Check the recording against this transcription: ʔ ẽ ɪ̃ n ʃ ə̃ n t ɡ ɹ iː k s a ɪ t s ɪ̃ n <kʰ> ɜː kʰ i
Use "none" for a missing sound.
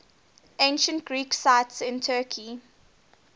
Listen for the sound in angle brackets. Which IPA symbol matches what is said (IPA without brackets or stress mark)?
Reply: tʰ